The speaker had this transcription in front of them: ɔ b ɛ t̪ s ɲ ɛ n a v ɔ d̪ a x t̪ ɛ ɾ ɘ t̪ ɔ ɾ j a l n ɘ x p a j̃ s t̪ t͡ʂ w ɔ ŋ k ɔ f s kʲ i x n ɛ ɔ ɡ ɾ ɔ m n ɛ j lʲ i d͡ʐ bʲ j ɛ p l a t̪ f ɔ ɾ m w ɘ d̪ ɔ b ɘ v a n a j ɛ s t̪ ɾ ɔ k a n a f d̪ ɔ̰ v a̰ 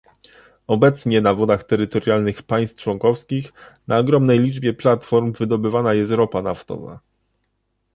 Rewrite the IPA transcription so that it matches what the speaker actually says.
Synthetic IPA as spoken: ɔ b ɛ t̪ s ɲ ɛ n a v ɔ d̪ a x t̪ ɛ ɾ ɘ t̪ ɔ ɾ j a l n ɘ x p a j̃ s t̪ t͡ʂ w ɔ ŋ k ɔ f s kʲ i x n a ɔ ɡ ɾ ɔ m n ɛ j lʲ i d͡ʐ bʲ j ɛ p l a t̪ f ɔ ɾ m v ɘ d̪ ɔ b ɘ v a n a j ɛ s t̪ ɾ ɔ p a n a f t̪ ɔ̰ v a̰

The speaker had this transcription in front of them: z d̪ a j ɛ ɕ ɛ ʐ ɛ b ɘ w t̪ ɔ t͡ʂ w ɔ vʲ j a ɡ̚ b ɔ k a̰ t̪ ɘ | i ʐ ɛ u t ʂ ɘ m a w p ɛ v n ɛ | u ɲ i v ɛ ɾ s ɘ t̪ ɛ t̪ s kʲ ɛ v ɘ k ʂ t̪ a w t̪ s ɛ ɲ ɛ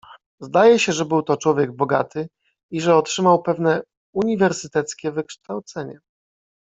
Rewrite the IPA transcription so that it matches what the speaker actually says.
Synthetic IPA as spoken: z d̪ a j ɛ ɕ ɛ ʐ ɛ b ɘ w t̪ ɔ t͡ʂ w ɔ vʲ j ɛ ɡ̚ b ɔ ɡ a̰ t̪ ɘ | i ʐ ɛ ɔ t ʂ ɘ m a w p ɛ v n ɛ | u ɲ i v ɛ ɾ s ɘ t̪ ɛ t̪ s kʲ ɛ v ɘ k ʂ t̪ a w t̪ s ɛ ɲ ɛ

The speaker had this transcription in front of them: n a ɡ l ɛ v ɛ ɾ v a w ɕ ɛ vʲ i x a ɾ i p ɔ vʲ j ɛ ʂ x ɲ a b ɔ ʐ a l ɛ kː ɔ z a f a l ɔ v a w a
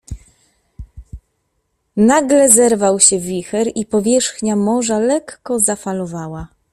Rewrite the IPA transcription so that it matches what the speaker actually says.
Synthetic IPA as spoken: n a ɡ l ɛ z ɛ ɾ v a w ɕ ɛ vʲ i x ɛ ɾ i p ɔ vʲ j ɛ ʂ x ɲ a m ɔ ʐ a l ɛ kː ɔ z a f a l ɔ v a w a

